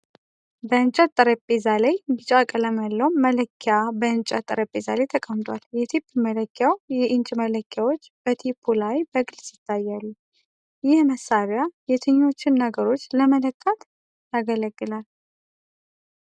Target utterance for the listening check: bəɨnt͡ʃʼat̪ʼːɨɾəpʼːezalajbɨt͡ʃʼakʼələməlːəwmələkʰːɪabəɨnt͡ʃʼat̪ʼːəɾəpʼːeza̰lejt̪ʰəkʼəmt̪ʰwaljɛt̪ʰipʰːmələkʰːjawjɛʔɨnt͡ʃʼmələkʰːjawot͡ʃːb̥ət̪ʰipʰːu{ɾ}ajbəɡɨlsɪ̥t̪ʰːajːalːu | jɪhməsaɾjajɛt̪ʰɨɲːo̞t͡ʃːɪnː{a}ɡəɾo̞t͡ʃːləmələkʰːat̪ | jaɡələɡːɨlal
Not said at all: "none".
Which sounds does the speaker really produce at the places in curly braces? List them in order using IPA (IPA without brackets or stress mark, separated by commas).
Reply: l, ə